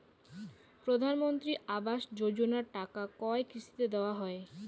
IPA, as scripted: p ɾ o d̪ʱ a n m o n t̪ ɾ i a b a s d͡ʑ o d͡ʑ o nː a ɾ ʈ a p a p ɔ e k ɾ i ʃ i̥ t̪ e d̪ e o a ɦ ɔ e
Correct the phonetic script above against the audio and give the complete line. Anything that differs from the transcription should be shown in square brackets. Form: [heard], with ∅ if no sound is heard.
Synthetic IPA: p ɾ o d̪ʱ a n m o n t̪ ɾ i a b a [ʃ] d͡ʑ o d͡ʑ o [n] a ɾ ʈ a [k] a [k] ɔ e k ɾ i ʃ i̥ t̪ e d̪ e o a ɦ ɔ e